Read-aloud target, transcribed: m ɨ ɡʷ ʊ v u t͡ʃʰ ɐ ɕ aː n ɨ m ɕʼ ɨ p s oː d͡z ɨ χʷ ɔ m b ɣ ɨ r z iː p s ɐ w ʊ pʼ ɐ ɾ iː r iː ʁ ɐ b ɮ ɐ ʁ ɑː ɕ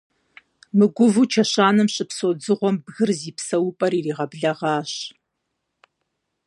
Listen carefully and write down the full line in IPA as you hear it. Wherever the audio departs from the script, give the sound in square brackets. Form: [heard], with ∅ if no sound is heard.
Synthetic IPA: m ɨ ɡʷ ʊ v u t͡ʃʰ ɐ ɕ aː n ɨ m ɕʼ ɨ p s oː d͡z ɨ [ʁʷ] ɔ m b ɣ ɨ r z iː p s ɐ w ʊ pʼ ɐ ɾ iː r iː ʁ ɐ b ɮ ɐ ʁ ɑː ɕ